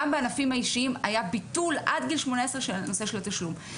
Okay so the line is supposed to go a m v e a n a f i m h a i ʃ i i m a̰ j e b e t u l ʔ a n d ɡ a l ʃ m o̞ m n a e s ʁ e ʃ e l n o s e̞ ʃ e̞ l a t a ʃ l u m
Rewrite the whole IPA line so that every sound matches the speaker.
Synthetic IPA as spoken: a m b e a n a f i m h a i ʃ i i m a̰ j a b i t u l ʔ a d ɡ i l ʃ m o̞ n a e s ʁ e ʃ e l n o s e̞ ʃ e̞ l a t a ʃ l u m

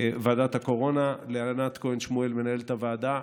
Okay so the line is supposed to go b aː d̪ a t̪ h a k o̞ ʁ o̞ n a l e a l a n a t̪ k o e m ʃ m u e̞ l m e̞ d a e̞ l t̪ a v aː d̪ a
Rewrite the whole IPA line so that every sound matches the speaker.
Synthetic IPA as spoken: v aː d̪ a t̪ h a k o̞ ʁ o̞ n a l e a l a n a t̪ k o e n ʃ m u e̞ l m e̞ n a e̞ l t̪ a v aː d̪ a

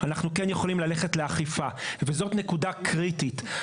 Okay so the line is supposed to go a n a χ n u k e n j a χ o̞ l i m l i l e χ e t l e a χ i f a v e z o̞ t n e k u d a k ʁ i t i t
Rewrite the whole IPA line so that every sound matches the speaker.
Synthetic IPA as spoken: a n a χ n u k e n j e χ o̞ l i m l a l e χ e t l e a χ i f a v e z o̞ t n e k u d a k ʁ i t i t

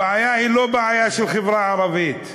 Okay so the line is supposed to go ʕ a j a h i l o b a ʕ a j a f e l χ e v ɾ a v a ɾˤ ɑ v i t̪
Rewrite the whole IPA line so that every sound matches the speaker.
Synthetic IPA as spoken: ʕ a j a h i l o b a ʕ a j a ʃ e l χ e v ɾ a ʕ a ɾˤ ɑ v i t̪

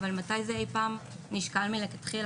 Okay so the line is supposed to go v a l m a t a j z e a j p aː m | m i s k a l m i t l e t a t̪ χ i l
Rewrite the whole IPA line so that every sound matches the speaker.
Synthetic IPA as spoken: v a l m a t a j z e e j p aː m | n i ʃ k a l m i l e k a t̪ χ i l

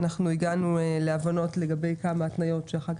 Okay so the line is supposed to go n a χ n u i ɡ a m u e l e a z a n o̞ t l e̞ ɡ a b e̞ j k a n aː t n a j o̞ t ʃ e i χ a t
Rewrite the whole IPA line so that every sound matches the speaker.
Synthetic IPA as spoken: n a χ n u i ɡ a n u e l e a v a n o̞ t l e̞ ɡ a b e̞ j k a m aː t n a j o̞ t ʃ e a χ a k

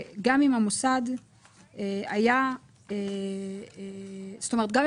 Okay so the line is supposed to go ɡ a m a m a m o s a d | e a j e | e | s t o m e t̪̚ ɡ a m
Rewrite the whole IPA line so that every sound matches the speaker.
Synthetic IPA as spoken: ɡ a m i m a m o s a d | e a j a | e | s t o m e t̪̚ ɡ a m

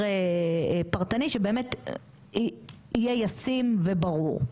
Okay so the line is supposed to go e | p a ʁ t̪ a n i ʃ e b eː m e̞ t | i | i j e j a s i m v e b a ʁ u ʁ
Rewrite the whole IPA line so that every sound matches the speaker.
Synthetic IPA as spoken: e | p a ʁ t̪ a n i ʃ e b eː m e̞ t | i | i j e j a s i m v e b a ʁ u ʁ

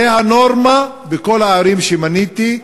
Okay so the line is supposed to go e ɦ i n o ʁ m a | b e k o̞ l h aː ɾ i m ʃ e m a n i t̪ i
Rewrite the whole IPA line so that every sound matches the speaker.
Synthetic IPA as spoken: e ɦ a n o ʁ m a | b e k o̞ l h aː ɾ i m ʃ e m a n i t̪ i

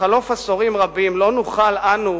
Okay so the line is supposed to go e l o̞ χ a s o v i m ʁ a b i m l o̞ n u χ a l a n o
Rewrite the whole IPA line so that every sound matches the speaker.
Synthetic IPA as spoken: a l o̞ f a s o ʁ i m ʁ a b i m l o̞ n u χ a l a n u

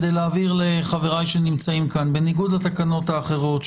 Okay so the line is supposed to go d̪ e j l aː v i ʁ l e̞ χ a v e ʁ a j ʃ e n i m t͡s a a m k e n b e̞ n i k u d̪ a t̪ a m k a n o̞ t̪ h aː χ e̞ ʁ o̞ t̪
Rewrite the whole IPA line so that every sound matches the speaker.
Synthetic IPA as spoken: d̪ e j l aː v i ʁ l e̞ χ a v e ʁ a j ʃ e n i m t͡s a i m k a n b e̞ n i ɡ u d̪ a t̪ a k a n o̞ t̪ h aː χ e̞ ʁ o̞ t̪

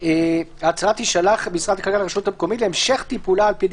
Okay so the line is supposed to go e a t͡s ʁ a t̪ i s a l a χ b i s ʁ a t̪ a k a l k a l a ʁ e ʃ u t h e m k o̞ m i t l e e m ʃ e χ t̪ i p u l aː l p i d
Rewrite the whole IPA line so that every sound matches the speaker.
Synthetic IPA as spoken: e a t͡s ʁ a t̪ i ʃ a l a χ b i s ʁ a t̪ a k a l k a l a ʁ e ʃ u t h a m k o̞ m i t l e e m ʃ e χ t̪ i p u l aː l p i d

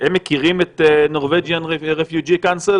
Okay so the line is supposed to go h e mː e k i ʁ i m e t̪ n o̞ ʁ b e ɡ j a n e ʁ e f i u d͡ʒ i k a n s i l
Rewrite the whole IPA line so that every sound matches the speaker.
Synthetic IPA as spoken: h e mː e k i ʁ i m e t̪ n o̞ ʁ v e ɡ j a n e ʁ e f j u d͡ʒ i k a n s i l

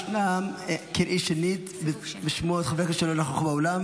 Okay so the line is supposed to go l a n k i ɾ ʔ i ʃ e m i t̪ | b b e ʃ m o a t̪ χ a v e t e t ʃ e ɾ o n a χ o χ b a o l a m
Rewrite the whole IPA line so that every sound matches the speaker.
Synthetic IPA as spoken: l a m k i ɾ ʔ i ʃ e n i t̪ | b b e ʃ m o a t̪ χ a v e k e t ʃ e l o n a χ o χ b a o l a m

